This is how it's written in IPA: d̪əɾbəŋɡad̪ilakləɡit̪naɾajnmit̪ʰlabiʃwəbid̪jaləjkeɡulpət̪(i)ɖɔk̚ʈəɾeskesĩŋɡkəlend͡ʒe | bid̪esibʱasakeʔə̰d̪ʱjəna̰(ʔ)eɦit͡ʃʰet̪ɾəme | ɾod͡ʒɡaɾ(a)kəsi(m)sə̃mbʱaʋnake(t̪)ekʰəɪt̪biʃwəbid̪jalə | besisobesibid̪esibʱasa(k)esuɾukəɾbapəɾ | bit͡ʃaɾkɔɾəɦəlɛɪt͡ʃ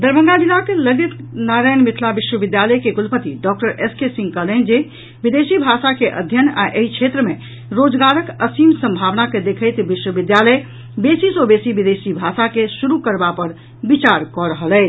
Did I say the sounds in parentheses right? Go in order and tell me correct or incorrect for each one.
correct, correct, incorrect: ə, correct, incorrect: d̪, correct

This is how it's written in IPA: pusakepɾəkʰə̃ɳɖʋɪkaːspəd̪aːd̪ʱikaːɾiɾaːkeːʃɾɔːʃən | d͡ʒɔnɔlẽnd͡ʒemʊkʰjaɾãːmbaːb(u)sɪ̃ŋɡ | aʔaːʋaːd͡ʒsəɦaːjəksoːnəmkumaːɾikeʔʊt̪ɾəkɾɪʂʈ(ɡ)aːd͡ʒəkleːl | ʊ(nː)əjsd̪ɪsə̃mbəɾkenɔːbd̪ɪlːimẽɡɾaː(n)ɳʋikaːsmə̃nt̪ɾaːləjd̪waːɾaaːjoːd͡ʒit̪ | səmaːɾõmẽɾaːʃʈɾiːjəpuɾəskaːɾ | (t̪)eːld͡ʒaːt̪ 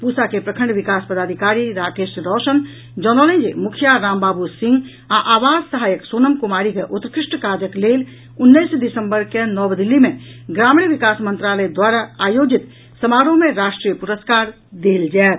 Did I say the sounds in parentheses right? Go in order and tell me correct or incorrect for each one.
correct, incorrect: k, correct, incorrect: m, incorrect: d̪

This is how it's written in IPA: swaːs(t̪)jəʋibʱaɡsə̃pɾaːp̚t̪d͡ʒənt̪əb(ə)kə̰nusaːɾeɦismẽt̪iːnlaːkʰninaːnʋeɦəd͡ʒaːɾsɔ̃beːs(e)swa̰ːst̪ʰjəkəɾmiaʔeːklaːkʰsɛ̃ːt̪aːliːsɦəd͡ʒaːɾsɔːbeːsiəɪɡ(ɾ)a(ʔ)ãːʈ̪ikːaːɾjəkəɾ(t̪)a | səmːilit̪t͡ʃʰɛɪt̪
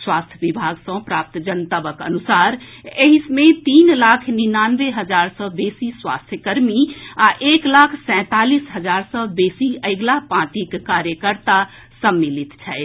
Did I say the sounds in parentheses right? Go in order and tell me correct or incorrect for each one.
incorrect: t̪ʰ, correct, incorrect: i, incorrect: l, incorrect: p, correct

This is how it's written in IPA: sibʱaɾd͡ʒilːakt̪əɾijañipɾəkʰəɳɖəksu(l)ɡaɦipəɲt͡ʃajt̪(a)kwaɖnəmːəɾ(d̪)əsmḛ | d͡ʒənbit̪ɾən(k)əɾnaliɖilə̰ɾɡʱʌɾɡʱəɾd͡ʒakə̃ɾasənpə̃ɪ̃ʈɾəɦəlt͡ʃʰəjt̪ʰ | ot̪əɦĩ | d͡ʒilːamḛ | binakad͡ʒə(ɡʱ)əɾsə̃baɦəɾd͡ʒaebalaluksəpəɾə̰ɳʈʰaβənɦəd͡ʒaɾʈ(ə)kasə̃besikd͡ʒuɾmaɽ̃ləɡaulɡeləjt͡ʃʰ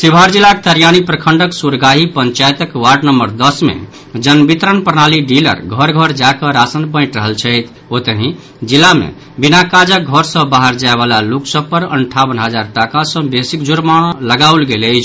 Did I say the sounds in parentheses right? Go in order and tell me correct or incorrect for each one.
incorrect: ɾ, incorrect: ə, correct, incorrect: p, correct, incorrect: a

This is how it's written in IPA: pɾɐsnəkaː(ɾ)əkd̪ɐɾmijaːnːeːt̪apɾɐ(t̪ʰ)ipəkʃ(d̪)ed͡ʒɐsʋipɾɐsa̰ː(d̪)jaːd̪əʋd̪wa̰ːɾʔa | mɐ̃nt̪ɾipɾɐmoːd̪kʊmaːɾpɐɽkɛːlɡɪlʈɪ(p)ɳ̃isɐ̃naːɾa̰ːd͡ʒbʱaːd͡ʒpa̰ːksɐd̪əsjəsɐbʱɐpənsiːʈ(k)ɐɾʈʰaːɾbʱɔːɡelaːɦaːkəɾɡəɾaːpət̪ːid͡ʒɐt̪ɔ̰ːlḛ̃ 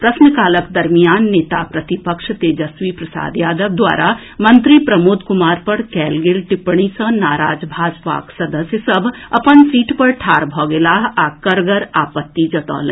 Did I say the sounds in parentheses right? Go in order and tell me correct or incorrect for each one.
incorrect: l, incorrect: t̪, incorrect: t̪, correct, correct, incorrect: p

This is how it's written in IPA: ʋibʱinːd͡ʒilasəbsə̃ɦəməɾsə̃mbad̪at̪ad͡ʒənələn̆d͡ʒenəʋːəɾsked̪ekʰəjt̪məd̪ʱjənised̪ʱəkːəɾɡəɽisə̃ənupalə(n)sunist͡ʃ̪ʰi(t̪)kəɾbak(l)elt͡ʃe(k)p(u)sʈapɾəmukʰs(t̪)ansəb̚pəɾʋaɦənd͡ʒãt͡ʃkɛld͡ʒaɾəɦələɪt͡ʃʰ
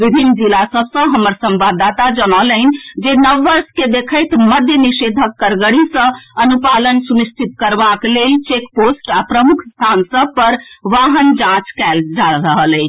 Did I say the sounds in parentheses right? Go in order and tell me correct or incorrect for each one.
correct, correct, correct, correct, incorrect: o, incorrect: t̪ʰ

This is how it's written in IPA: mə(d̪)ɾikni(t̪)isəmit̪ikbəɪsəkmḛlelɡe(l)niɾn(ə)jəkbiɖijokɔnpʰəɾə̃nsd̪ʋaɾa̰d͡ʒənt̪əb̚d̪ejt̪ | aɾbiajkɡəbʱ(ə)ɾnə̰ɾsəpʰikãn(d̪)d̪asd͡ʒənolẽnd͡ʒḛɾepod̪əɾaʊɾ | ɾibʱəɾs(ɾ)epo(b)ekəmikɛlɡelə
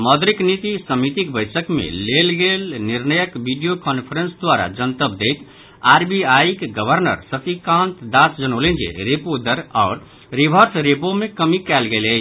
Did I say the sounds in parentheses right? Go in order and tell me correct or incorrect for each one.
correct, correct, correct, correct, correct, incorrect: t̪, correct, incorrect: m

